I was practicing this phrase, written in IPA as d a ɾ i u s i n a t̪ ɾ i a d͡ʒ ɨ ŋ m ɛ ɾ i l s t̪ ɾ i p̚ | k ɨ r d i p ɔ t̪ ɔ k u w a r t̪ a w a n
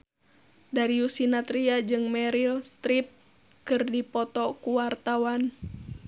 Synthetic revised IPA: d a ɾ i u s i n a t̪ ɾ i a d͡ʒ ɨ ŋ m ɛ ɾ i l s t̪ ɾ i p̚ | k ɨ r d i p ɔ t̪ ɔ k u w a r t̪ a w a n